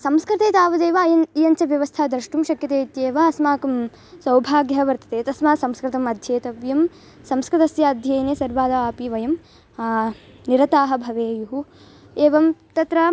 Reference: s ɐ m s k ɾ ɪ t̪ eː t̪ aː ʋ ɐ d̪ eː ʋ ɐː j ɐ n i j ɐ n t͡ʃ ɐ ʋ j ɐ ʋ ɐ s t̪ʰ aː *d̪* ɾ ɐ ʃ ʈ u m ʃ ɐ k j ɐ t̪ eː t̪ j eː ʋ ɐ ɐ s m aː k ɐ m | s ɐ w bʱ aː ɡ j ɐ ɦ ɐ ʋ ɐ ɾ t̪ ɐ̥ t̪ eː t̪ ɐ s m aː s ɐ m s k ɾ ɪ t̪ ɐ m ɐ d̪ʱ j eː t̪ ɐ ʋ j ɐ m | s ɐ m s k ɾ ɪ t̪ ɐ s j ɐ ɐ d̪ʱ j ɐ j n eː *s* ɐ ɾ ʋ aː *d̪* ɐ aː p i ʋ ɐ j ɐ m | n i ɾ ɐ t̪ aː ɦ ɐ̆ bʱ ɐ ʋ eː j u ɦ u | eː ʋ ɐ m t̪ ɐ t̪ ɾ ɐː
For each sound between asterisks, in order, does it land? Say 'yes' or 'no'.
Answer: yes, yes, yes

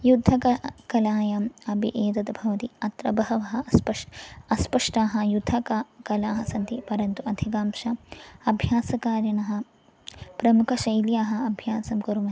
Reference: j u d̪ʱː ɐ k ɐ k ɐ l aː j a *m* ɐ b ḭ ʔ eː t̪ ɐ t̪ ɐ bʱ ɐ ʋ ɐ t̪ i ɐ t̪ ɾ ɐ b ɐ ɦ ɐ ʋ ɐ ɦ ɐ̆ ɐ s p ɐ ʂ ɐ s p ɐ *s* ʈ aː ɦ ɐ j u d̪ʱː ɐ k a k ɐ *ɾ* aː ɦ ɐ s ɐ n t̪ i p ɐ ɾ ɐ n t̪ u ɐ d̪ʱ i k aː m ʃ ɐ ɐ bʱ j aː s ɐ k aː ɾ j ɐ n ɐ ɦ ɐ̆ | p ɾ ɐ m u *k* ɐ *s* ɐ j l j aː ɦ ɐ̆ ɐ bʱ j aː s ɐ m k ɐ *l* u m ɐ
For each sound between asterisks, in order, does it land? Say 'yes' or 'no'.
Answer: yes, no, no, no, no, no

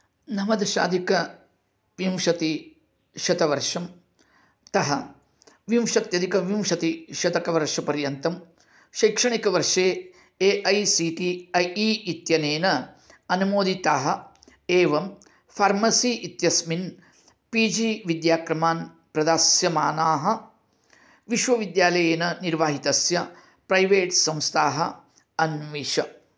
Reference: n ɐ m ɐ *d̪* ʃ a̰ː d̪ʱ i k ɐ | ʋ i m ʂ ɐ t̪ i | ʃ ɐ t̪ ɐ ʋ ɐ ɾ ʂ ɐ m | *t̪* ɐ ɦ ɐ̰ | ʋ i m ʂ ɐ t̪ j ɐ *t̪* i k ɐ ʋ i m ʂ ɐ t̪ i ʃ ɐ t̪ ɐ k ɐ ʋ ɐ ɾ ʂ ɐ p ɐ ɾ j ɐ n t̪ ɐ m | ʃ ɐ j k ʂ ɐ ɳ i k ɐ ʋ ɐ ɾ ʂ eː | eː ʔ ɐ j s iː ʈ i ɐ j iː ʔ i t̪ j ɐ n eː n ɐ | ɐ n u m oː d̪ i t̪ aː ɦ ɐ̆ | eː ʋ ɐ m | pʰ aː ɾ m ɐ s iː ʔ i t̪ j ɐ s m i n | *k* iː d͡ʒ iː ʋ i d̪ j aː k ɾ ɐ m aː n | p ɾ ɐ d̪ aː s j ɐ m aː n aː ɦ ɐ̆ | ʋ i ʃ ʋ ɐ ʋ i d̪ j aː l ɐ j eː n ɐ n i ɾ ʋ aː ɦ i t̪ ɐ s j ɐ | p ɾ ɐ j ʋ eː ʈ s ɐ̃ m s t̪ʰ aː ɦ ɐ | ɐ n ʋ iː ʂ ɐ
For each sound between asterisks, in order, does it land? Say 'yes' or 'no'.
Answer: yes, yes, no, no

